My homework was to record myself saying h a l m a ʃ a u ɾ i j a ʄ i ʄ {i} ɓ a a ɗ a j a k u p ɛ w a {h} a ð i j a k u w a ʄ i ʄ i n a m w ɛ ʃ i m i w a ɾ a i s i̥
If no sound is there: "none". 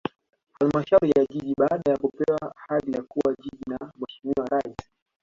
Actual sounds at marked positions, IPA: i, h

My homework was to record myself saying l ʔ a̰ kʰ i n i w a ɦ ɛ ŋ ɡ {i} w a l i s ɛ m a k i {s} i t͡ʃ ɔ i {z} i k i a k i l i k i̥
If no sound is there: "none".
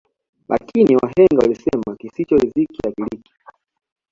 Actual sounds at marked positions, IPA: a, s, z

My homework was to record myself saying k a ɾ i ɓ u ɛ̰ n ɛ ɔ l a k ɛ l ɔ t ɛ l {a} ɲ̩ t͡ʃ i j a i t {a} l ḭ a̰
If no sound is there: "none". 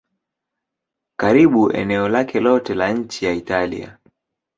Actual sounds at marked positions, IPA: a, a

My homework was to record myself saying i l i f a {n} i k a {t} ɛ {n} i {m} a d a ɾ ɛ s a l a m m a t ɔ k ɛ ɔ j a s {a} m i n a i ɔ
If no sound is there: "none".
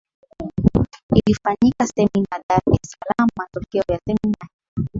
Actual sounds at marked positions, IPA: ɲ, s, m, n, ɛ

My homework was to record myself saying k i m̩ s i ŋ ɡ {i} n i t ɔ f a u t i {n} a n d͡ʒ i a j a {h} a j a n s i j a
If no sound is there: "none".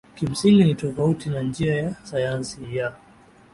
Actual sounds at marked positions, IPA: i, n, s

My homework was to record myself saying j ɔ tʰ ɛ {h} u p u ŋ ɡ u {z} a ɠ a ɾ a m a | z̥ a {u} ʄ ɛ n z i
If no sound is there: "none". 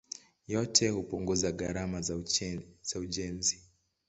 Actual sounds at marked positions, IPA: h, z, u

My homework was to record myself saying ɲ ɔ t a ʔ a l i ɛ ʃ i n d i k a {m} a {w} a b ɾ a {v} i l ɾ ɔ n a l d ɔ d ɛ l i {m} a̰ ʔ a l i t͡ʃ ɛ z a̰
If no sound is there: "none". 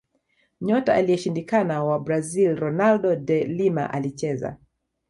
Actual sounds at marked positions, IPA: n, w, z, m

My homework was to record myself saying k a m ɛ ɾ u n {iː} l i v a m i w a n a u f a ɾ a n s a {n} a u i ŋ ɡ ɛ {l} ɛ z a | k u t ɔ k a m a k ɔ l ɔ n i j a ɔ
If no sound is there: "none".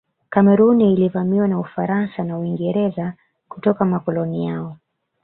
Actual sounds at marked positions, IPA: iː, n, ɾ

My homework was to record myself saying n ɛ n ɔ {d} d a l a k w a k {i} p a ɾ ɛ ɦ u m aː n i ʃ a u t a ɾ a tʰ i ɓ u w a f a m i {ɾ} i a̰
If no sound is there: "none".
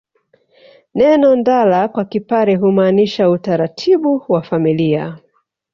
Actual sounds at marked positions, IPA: n, i, l

